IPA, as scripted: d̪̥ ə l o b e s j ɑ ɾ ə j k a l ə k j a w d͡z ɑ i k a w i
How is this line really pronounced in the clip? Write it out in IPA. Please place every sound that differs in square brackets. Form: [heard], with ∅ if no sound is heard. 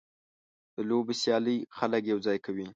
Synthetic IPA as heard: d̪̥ ə l o b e s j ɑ [l] ə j [x] a l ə k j a w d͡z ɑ [j] k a w i